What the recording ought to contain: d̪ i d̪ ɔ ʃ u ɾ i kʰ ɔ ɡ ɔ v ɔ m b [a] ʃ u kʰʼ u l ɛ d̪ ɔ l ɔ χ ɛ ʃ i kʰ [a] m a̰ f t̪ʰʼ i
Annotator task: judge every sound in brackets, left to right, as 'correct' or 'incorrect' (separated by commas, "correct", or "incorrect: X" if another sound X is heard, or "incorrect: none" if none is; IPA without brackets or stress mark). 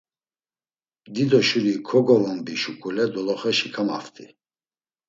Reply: incorrect: i, correct